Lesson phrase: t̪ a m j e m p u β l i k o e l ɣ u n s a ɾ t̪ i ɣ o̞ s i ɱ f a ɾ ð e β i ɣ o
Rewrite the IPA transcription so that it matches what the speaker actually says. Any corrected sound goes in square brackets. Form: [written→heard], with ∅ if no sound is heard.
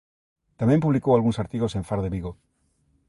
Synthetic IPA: t̪ a m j e m p u β l i k o [e→a] l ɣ u n s a ɾ t̪ i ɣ o̞ s [i→e] ɱ f a ɾ ð e β i ɣ o